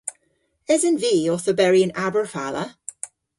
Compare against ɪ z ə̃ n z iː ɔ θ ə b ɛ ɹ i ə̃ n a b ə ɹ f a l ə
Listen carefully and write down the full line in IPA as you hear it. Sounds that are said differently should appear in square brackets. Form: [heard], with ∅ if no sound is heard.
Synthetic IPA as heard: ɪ z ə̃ n [v] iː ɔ θ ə b ɛ ɹ i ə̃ n a b ə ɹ f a l ə